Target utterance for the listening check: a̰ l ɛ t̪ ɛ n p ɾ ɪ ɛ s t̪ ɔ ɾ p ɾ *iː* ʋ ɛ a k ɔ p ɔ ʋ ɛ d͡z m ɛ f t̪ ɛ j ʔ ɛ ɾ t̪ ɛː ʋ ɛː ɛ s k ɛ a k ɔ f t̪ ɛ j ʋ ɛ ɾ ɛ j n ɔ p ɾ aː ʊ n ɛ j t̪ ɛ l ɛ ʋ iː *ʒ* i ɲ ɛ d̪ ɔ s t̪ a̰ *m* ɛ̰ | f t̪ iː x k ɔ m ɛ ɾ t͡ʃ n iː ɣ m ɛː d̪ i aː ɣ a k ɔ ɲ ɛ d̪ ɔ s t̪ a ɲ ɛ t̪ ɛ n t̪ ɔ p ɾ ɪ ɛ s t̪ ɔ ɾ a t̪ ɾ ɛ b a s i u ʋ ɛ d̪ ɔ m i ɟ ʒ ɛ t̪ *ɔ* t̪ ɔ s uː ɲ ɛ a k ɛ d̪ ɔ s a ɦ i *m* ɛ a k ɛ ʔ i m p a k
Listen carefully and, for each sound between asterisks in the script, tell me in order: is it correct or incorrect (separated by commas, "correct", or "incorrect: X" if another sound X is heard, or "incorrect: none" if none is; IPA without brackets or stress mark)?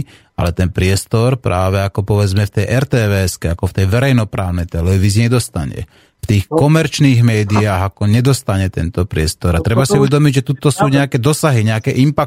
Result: incorrect: aː, incorrect: z, incorrect: ɲ, incorrect: u, incorrect: ɲ